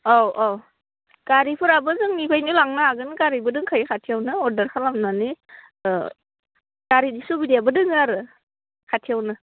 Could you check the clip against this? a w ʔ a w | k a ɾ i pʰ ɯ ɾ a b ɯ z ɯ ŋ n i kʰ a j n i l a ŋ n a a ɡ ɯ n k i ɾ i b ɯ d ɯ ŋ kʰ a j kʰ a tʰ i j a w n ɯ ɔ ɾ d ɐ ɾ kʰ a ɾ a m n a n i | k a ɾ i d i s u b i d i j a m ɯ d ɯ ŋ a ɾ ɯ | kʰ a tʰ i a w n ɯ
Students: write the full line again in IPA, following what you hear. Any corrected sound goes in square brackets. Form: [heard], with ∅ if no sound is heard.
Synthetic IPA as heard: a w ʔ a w | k a ɾ i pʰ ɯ ɾ a b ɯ z ɯ ŋ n i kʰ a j n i l a ŋ n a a ɡ ɯ n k [a] ɾ i b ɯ d ɯ ŋ kʰ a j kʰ a tʰ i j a w n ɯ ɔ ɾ d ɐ ɾ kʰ a [l] a m n a n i | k a ɾ i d i s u b i d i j a [b] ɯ d ɯ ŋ a ɾ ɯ | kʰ a tʰ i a w n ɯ